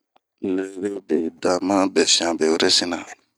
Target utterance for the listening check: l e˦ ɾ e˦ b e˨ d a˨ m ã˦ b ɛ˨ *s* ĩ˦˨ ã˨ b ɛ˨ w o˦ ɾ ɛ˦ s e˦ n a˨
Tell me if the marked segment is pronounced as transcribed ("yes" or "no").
no